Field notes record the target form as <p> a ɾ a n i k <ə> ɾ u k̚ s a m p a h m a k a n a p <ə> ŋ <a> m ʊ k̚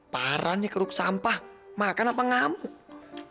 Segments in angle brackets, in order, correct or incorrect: correct, correct, incorrect, correct

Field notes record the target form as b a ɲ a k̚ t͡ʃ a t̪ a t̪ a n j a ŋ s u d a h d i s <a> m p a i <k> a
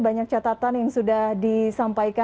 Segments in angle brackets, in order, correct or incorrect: correct, correct

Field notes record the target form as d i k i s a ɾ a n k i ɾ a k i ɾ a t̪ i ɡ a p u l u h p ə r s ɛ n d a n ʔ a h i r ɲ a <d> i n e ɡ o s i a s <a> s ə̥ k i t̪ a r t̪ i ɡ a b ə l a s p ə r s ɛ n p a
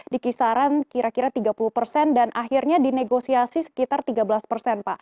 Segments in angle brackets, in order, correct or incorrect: correct, incorrect

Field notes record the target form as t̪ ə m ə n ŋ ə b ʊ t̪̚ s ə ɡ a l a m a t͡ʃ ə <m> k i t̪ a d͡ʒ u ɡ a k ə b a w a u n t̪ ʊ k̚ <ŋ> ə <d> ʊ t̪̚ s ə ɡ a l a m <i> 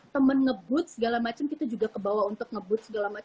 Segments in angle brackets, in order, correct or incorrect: correct, correct, incorrect, incorrect

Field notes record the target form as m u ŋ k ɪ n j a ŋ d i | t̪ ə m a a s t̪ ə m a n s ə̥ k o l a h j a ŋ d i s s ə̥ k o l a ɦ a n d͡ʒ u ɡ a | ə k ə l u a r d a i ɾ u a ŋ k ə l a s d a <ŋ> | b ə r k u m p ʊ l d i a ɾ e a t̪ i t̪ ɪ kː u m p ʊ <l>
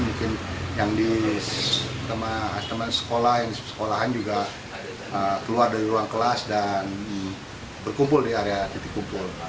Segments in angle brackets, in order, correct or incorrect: incorrect, correct

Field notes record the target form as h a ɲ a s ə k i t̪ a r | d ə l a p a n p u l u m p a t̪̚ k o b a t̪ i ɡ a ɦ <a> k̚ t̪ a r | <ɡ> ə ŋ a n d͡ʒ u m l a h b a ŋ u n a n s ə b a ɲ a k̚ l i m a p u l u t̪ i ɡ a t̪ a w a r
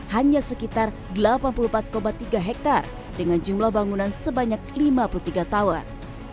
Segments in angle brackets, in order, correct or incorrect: incorrect, incorrect

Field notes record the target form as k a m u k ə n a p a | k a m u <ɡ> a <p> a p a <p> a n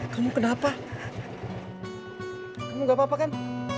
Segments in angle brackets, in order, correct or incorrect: correct, correct, incorrect

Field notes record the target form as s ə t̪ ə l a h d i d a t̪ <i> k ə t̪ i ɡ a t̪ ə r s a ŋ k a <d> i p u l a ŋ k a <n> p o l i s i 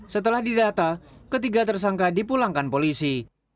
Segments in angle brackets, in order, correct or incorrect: incorrect, correct, correct

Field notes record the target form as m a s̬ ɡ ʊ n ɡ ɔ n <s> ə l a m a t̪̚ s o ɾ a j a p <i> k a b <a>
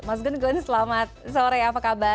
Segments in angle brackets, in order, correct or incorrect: correct, incorrect, correct

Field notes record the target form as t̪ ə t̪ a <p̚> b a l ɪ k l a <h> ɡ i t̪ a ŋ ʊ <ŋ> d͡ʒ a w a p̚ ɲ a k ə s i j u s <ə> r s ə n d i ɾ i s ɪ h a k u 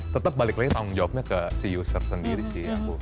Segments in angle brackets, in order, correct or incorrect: correct, incorrect, correct, correct

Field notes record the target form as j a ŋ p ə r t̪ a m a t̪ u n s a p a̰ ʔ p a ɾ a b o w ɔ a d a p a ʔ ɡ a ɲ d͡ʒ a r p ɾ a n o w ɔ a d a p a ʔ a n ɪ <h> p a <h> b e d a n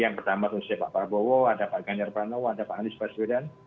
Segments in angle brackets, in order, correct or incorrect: incorrect, incorrect

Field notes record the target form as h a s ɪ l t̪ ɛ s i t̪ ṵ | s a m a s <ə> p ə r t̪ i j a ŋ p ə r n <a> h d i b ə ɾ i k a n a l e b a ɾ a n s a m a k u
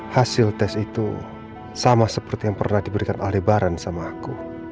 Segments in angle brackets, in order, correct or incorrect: correct, correct

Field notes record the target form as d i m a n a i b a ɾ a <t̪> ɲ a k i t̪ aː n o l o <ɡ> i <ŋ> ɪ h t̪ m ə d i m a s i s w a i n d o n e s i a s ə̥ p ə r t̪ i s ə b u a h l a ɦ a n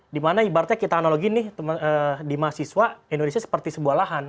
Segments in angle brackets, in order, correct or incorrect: correct, correct, incorrect

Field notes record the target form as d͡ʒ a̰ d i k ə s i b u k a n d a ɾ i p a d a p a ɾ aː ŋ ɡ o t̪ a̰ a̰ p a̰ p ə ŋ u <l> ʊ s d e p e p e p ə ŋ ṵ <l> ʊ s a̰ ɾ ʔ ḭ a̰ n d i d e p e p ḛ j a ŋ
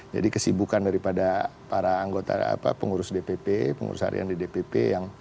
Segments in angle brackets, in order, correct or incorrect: incorrect, incorrect

